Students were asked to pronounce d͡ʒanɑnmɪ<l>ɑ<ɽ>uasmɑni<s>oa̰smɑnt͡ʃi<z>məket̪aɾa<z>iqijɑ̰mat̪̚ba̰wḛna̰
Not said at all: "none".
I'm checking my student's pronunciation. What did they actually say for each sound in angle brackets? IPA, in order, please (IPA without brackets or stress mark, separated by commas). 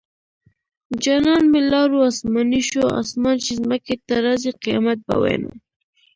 l, ɾ, ʃ, z, z